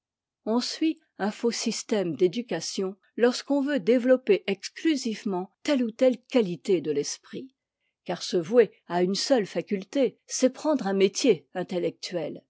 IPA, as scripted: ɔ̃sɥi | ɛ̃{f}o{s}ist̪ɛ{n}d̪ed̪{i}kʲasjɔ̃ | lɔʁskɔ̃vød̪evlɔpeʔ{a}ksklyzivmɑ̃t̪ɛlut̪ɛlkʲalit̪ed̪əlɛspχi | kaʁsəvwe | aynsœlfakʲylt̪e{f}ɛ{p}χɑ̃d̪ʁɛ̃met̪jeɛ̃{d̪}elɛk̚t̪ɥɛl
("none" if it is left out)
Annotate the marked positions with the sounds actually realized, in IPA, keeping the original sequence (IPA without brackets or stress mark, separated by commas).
f, s, m, y, ɛ, s, p, t̪